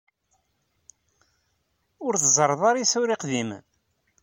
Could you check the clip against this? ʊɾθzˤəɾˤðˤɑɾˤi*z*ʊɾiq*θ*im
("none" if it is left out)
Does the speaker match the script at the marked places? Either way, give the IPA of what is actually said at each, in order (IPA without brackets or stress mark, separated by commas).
s, ð